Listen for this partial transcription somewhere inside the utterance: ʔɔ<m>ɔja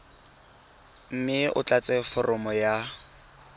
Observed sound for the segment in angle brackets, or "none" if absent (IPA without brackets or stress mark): m